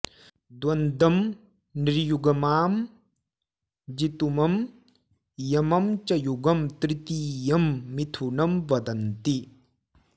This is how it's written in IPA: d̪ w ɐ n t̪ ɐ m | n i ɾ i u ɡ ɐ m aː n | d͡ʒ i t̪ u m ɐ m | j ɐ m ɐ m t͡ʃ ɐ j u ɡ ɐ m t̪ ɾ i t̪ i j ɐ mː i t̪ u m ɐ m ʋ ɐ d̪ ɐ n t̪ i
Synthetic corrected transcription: d̪ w ɐ n d̪ ɐ m | n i ɾ j u ɡ ɐ m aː m | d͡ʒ i t̪ u m ɐ m | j ɐ m ɐ m t͡ʃ ɐ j u ɡ ɐ m t̪ ɾ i t̪ i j ɐ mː i t̪ʰ u n ɐ m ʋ ɐ d̪ ɐ n t̪ i